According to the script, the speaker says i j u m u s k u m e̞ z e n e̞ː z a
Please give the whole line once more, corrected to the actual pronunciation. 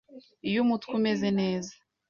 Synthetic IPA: i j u m u t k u m e̞ z e n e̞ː z a